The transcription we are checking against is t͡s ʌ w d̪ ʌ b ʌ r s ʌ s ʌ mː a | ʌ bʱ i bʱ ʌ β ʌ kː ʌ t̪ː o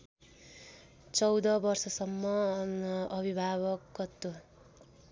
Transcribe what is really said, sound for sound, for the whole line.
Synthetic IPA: t͡s ʌ w d̪ ʌ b ʌ r s ʌ s ʌ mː ʌ | ʌ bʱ i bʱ a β ʌ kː ʌ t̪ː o